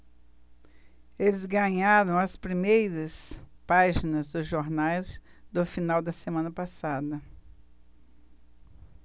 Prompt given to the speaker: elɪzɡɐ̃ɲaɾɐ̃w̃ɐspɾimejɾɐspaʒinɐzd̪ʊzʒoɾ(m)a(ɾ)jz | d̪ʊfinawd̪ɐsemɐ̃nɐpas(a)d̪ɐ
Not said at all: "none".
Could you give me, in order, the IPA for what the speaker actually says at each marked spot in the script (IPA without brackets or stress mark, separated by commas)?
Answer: n, none, a